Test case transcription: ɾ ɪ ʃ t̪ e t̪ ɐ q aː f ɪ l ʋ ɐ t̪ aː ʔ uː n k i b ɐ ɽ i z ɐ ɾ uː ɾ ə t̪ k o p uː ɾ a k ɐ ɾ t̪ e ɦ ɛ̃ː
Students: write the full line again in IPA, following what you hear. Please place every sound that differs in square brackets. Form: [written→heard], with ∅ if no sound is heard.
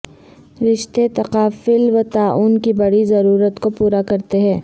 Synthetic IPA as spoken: ɾ ɪ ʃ t̪ e t̪ ɐ q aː f ɪ l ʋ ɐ t̪ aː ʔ uː n k i b ɐ ɽ i z ɐ ɾ uː ɾ ə t̪ k o p uː ɾ a k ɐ ɾ t̪ e ɦ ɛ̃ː